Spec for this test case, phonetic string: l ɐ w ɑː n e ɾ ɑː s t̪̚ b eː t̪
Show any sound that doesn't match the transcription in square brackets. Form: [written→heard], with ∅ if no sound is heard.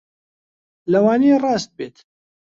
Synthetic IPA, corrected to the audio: l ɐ w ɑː n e [ɾ→r] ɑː s t̪̚ b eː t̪